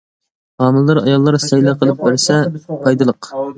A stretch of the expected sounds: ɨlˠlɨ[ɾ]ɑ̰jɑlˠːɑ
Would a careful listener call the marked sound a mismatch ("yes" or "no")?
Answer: no